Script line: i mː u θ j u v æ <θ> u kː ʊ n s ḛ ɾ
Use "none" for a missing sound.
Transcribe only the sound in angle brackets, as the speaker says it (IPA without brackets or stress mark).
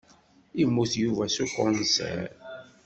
s